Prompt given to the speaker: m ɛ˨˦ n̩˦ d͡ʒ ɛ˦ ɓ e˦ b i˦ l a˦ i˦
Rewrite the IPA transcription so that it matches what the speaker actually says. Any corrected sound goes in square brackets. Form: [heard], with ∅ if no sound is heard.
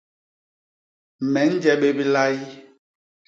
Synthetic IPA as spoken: m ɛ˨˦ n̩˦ d͡ʒ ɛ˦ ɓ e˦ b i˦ l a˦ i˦